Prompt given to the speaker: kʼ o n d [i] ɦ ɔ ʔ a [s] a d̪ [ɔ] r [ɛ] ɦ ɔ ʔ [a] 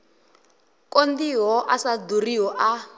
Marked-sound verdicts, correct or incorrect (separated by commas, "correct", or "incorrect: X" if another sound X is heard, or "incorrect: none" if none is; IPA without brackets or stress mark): correct, correct, incorrect: u, incorrect: i, correct